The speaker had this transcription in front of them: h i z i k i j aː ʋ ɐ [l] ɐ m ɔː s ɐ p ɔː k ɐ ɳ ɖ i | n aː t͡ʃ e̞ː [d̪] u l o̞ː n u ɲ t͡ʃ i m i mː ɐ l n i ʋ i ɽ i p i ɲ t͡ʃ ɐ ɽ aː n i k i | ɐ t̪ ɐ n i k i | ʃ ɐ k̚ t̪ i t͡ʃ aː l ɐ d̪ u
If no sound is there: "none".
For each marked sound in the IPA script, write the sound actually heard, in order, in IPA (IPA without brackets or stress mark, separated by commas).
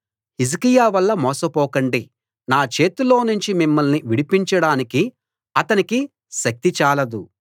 lː, t̪